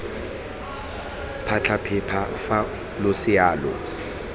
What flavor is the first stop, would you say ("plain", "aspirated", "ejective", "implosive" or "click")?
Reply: aspirated